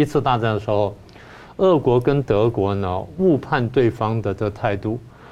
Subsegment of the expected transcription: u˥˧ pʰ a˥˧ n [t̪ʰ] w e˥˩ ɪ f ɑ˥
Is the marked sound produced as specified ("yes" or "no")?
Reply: no